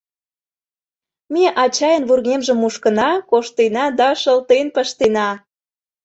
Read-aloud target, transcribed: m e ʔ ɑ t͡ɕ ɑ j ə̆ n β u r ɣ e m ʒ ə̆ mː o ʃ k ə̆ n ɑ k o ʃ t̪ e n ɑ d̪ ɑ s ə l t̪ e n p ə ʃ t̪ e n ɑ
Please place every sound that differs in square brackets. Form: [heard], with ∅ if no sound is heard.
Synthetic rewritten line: m e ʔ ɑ t͡ɕ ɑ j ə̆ n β u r ɣ e m ʒ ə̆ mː [u] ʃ k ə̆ n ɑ k o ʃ t̪ e n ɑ d̪ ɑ [ʃ] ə l t̪ e n p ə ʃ t̪ e n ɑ